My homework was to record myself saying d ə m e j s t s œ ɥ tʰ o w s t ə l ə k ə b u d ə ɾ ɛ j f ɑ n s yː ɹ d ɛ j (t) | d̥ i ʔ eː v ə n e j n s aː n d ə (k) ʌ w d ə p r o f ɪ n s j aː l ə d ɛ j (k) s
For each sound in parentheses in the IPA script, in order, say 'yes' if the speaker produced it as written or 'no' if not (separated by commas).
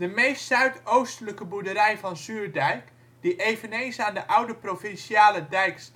no, no, yes